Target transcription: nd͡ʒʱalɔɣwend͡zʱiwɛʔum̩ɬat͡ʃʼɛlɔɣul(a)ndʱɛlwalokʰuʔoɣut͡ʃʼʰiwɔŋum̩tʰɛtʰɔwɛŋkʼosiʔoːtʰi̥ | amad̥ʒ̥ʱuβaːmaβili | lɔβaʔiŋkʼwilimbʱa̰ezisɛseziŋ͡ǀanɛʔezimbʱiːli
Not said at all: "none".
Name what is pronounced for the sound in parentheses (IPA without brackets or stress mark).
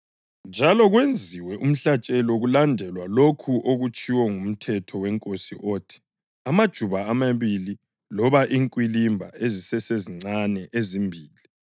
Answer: a